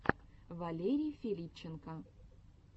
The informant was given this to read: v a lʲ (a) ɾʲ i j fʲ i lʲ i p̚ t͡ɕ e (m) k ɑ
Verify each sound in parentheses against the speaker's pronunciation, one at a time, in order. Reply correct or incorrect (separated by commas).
incorrect, incorrect